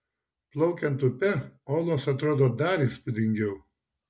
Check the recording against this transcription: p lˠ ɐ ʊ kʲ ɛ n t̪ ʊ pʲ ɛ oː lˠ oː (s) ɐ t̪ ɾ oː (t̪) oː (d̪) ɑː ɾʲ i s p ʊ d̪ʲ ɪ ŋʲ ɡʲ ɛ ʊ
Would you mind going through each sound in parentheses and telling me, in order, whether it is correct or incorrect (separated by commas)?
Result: correct, incorrect, correct